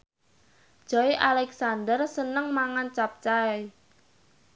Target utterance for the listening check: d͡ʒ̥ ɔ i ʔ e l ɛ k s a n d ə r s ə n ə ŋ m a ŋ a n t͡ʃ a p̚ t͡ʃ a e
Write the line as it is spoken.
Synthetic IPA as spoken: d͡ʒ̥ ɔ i ʔ a l ɛ k s a n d ə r s ə n ə ŋ m a ŋ a n t͡ʃ a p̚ t͡ʃ a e